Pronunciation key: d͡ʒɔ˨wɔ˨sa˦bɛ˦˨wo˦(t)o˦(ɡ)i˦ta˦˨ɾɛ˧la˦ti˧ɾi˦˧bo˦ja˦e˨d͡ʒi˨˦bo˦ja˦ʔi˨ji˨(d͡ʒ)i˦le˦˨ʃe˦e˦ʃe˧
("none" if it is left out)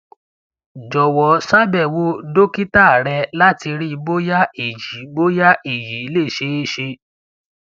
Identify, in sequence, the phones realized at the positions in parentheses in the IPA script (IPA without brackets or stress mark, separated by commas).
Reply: d, k, none